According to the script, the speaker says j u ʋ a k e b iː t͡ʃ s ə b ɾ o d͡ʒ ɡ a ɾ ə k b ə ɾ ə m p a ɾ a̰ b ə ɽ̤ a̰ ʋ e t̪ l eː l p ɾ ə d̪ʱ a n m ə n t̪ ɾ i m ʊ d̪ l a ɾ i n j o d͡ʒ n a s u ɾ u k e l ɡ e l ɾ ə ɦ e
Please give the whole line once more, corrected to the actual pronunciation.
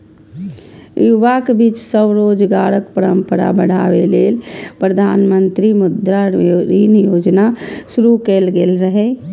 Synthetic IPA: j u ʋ a k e b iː t͡ʃ s ə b ɾ o d͡ʒ ɡ a ɾ ə k p ə ɾ ə m p ə ɾ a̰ b ə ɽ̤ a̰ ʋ e l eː l p ɾ ə d̪ʱ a n m ə n t̪ ɾ i m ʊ d̪ ɾ a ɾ i n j o d͡ʒ n a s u ɾ u k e l ɡ e l ɾ ə ɦ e